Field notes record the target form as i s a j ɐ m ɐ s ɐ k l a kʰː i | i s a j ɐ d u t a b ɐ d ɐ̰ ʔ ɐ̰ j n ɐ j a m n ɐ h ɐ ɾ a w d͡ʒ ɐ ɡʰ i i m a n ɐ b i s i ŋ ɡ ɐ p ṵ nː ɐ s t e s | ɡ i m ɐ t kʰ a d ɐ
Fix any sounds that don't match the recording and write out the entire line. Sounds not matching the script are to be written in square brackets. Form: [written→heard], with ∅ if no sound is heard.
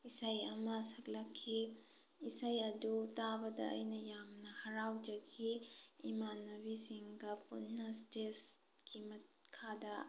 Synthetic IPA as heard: i s a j ɐ m ɐ s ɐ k l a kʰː i | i s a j ɐ d u t a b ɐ d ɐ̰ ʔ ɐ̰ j n ɐ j a m n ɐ h ɐ ɾ a w d͡ʒ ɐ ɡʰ i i m a n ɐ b i s i ŋ ɡ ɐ p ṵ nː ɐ s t e s | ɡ i m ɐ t kʰ a d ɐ